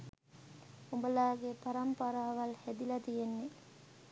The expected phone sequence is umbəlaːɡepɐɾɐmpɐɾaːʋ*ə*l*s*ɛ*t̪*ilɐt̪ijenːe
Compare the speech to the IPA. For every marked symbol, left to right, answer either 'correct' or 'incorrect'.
incorrect: ɐ, incorrect: h, incorrect: d̪

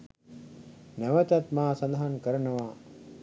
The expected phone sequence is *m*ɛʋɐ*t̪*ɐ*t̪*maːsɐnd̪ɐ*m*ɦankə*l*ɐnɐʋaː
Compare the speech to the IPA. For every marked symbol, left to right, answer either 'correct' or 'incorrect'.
incorrect: n, correct, correct, incorrect: none, incorrect: ɾ

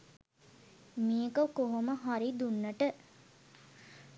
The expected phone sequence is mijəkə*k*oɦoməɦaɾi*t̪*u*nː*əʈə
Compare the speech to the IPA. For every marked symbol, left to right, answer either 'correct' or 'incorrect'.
correct, incorrect: d̪, correct

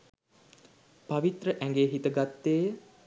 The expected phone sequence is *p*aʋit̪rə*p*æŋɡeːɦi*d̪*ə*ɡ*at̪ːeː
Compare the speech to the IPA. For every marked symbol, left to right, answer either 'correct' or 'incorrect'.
correct, incorrect: ʔ, incorrect: t̪, correct

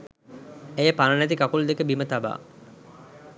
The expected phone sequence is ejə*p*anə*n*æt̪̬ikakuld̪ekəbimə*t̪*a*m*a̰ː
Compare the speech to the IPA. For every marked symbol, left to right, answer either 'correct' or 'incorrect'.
correct, correct, correct, incorrect: b

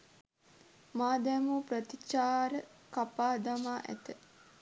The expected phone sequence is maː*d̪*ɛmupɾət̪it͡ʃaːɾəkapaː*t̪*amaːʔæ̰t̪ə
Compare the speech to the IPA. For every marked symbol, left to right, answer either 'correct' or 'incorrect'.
correct, incorrect: d̪

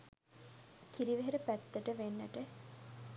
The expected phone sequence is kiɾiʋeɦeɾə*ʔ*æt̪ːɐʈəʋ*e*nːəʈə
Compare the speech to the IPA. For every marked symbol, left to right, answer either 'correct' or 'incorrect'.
incorrect: p, correct

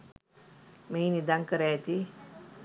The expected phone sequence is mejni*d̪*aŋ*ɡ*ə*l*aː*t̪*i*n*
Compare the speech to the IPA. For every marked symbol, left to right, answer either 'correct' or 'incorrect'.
correct, incorrect: k, incorrect: ɾ, correct, incorrect: none

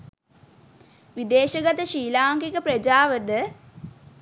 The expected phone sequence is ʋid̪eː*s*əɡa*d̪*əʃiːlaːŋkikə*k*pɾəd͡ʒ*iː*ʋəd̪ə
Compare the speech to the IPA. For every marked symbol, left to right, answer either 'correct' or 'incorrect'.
incorrect: ʃ, incorrect: t̪, incorrect: none, incorrect: aː

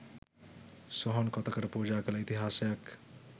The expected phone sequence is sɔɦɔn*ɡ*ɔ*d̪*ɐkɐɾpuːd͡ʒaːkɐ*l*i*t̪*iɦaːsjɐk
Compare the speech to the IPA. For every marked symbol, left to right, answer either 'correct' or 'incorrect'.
incorrect: k, incorrect: t̪, correct, correct

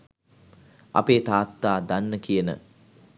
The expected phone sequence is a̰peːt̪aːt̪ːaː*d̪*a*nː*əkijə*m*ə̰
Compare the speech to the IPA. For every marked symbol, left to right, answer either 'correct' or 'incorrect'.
correct, correct, incorrect: n

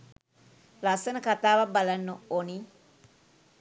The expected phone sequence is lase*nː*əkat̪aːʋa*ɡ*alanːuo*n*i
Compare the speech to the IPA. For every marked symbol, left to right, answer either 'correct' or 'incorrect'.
incorrect: n, incorrect: b, correct

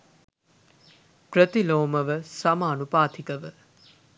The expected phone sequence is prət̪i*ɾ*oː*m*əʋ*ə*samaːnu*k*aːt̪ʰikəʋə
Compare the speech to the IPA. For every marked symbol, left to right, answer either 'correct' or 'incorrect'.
incorrect: l, correct, correct, incorrect: p

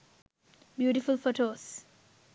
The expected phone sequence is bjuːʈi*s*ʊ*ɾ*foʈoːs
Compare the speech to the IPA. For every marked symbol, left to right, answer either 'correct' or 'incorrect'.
incorrect: f, incorrect: l

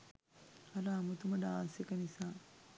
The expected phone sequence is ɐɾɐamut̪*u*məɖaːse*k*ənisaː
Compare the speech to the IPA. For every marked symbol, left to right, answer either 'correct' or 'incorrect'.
correct, correct

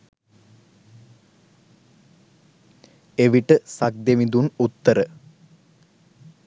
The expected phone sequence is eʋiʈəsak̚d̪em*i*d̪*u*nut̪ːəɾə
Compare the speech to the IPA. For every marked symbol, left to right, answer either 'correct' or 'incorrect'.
correct, correct

